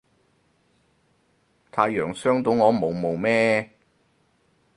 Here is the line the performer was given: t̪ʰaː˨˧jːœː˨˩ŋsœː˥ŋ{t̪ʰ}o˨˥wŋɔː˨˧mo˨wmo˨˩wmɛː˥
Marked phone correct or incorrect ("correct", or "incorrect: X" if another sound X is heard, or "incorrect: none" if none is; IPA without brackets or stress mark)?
incorrect: t̪